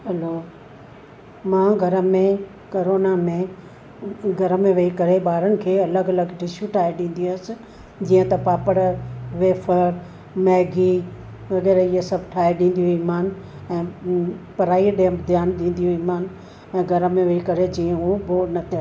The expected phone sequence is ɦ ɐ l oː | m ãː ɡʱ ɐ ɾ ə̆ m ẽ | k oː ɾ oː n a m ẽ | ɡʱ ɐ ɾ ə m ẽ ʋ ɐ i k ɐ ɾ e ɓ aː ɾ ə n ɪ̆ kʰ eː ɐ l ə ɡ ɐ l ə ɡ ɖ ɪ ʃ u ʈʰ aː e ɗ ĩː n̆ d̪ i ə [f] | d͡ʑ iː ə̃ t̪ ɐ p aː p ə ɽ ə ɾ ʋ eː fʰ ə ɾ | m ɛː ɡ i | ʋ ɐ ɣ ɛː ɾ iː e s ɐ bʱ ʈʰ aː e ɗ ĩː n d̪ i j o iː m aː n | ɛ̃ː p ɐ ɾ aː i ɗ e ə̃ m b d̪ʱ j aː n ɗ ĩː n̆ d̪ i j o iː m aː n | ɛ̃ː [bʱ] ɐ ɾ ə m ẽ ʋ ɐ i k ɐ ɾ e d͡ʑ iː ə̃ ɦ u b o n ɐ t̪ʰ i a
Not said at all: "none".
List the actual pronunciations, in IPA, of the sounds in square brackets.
s, ɡʱ

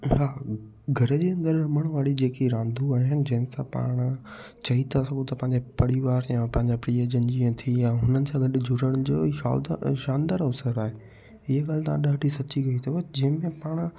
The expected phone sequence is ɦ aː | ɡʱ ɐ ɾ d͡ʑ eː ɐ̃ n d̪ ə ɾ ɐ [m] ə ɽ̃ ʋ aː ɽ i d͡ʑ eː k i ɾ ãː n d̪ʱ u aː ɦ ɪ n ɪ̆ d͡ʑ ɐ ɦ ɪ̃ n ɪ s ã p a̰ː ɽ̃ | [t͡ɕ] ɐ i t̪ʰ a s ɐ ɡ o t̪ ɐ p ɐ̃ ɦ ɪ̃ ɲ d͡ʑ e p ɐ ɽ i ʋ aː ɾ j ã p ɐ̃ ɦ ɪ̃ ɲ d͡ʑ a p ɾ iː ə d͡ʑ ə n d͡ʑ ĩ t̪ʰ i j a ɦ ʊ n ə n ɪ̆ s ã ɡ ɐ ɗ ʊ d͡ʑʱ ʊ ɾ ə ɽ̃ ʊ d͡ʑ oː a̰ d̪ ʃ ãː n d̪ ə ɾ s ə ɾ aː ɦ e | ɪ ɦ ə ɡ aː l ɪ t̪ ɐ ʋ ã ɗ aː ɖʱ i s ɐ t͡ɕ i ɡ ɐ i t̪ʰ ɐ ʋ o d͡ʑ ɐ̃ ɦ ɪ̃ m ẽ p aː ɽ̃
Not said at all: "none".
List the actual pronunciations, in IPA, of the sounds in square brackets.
m, t͡ɕ

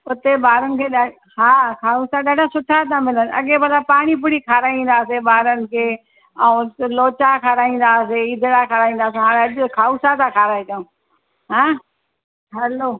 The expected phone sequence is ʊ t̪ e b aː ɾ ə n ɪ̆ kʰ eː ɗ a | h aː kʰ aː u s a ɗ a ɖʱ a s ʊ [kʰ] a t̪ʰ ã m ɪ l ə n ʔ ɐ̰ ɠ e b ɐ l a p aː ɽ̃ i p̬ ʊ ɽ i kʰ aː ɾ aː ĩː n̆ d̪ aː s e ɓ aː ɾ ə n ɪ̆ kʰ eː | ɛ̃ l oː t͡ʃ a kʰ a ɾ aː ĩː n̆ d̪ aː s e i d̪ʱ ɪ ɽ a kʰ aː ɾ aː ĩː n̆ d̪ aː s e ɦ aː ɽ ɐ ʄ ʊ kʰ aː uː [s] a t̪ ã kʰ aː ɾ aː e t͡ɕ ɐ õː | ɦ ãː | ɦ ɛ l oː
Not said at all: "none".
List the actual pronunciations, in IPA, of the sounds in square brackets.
ʈʰ, s

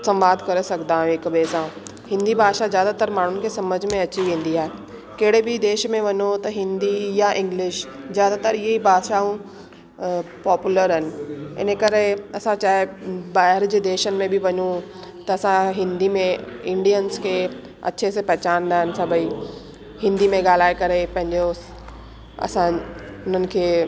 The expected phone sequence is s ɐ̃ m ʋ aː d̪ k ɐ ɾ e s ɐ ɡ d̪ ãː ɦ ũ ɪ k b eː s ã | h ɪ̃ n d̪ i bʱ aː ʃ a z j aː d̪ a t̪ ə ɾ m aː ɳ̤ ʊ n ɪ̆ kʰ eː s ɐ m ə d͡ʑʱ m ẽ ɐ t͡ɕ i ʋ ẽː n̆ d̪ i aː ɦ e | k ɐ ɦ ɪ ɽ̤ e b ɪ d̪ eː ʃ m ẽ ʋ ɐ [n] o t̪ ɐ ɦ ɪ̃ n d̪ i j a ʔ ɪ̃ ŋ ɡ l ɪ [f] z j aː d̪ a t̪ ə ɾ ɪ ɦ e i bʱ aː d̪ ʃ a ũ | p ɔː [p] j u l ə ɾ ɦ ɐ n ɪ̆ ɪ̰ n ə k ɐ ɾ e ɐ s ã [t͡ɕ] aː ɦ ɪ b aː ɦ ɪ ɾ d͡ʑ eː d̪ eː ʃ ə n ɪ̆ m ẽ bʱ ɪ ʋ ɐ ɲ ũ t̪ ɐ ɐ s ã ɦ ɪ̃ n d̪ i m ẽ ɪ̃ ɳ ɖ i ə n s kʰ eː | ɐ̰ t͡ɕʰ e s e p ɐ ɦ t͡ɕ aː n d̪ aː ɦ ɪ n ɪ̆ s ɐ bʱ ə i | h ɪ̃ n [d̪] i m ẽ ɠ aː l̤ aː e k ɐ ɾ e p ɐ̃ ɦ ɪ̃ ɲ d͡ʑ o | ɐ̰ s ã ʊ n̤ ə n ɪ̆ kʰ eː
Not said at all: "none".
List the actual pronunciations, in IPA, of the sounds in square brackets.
ɲ, ʃ, p, t͡ɕ, d̪

